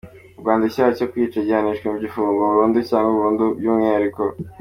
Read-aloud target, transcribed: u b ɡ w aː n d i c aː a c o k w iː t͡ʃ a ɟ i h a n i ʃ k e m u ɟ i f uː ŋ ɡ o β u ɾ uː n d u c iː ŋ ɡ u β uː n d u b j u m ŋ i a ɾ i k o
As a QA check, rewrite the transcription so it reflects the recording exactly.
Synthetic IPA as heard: u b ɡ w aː n d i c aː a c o k w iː t͡ʃ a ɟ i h a n i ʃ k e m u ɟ i f uː ŋ ɡ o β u ɾ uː n d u c aː ŋ ɡ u β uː n d u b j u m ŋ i a ɾ i k o

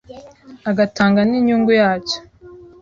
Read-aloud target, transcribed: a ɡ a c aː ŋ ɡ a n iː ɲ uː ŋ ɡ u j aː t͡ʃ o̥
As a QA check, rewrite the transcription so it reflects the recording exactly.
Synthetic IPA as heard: a ɡ a t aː ŋ ɡ a n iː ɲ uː ŋ ɡ u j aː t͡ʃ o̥

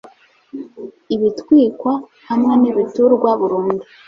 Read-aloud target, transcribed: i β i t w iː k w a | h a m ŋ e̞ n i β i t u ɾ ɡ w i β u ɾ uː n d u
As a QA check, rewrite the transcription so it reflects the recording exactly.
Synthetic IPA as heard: i β i t w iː k w a | h a m ŋ e̞ n i β i t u ɾ ɡ w a β u ɾ uː n d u

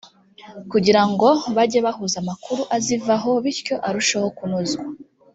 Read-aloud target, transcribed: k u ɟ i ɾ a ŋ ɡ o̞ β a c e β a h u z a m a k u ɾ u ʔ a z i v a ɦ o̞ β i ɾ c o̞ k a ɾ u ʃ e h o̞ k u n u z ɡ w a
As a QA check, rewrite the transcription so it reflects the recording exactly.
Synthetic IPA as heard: k u ɟ i ɾ a ŋ ɡ o̞ β a ɟ e β a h u z a m a k u ɾ u ʔ a z i v a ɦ o̞ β i ɾ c o̞ ʔ a ɾ u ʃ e h o̞ k u n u z ɡ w a

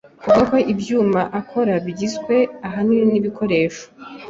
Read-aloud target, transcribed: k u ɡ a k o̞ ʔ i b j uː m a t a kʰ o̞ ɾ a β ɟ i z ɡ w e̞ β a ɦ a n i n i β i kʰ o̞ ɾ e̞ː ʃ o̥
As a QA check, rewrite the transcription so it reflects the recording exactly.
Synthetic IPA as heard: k u ɡ a k o̞ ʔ i b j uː m a ʔ a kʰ o̞ ɾ a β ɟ i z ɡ w e̞ a ɦ a n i n i β i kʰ o̞ ɾ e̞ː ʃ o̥

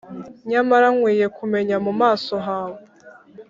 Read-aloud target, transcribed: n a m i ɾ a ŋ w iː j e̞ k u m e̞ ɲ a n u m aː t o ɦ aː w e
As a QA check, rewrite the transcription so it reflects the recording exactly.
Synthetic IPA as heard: ɲ a m a ɾ a ŋ w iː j e̞ k u m e̞ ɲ a m u m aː s o ɦ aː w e

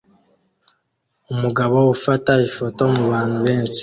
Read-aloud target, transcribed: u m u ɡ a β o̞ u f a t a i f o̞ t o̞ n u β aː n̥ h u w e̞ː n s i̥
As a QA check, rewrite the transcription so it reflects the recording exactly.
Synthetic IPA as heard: u m u ɡ a β o̞ u f a t a i f o̞ t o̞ m u β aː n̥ h u β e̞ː n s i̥

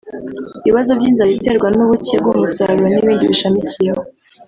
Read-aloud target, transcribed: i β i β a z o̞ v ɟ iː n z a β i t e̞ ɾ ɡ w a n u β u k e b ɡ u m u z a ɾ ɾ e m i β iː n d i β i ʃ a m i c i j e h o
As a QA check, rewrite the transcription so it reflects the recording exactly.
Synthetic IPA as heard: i β i β a z o̞ v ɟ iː n z a β i t e̞ ɾ ɡ w a n u β u c e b ɡ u m u s a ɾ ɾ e n i β iː n d i β i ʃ a m i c i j e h o

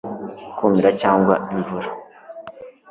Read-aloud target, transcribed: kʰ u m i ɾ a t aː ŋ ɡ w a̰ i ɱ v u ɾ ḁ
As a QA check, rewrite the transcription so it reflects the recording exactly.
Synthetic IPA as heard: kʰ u m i ɾ a c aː ŋ ɡ w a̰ i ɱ v u ɾ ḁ

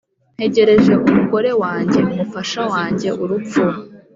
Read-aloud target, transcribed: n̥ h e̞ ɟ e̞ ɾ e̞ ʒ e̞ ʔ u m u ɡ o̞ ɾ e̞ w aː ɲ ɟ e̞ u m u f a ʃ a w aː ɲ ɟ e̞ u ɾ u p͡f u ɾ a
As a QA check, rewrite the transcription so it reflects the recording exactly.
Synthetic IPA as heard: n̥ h e̞ ɟ e̞ ɾ e̞ ʒ e̞ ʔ u m u ɡ o̞ ɾ e̞ w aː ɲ ɟ e̞ u m u f a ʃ a w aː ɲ ɟ e̞ u ɾ u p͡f u ɾ a

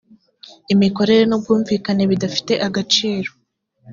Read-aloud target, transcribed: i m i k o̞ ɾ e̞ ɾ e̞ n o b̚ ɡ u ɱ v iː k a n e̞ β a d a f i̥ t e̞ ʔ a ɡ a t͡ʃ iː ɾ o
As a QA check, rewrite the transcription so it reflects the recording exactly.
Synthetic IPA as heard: i m i k o̞ ɾ e̞ ɾ e̞ n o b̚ ɡ uː ɱ v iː k a n e̞ β i d a f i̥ t e̞ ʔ a ɡ a t͡ʃ iː ɾ o

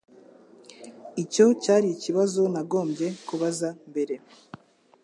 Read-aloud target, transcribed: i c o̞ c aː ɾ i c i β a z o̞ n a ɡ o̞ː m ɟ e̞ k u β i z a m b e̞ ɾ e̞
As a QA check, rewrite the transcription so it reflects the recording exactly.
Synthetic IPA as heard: i c o̞ c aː ɾ i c i β a z o̞ n a ɡ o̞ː m ɟ e̞ k u β a z a m b e̞ ɾ e̞

